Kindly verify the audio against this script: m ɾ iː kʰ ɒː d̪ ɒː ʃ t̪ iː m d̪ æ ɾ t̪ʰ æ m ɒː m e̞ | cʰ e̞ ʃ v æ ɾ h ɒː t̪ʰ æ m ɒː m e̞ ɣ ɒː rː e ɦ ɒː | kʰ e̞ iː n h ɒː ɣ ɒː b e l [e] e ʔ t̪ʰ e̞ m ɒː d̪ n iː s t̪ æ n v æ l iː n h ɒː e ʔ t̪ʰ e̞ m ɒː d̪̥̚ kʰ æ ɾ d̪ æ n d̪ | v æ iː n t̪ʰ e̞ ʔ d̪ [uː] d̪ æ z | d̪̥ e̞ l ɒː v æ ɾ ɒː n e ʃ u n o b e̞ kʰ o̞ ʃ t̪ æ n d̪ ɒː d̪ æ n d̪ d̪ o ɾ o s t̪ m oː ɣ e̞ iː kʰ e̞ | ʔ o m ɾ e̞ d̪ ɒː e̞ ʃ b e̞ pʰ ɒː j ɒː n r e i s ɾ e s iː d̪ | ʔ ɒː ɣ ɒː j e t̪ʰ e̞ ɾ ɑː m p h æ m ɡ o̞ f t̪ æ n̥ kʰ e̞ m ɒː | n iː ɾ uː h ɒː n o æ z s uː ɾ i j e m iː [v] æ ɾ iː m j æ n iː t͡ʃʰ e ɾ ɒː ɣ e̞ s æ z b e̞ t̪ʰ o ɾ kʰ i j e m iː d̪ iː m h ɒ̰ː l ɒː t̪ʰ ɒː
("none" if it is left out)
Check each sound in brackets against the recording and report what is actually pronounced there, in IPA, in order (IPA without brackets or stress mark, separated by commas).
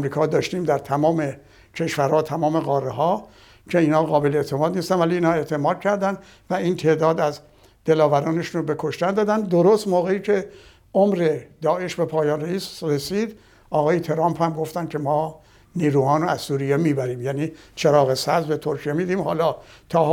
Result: e, ɒː, b